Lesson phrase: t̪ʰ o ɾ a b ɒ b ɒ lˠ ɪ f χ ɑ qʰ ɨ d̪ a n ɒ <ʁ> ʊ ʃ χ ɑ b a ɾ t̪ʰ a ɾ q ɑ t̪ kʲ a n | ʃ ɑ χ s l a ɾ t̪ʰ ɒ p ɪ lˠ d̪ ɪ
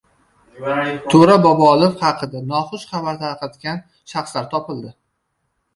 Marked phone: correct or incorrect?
incorrect: χ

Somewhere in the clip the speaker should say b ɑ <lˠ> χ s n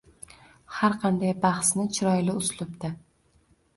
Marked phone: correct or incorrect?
incorrect: none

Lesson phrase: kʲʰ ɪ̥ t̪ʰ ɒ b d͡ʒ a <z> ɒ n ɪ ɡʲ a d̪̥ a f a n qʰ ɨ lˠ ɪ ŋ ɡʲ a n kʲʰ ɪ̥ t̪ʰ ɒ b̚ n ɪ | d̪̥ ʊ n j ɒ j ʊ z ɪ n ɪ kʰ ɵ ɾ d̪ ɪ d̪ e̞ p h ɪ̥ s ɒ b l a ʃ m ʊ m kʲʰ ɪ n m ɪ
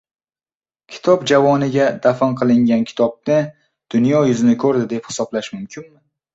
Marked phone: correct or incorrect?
incorrect: v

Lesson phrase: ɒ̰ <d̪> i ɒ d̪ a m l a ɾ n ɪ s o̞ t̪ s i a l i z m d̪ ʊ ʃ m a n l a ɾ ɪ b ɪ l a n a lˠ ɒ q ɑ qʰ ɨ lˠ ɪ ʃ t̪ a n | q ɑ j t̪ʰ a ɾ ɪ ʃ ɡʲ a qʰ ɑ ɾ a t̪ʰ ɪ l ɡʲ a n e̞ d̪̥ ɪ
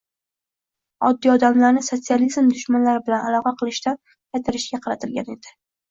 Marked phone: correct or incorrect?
incorrect: d̪ː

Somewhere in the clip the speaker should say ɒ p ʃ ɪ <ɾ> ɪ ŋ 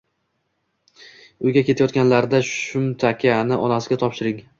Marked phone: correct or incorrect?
correct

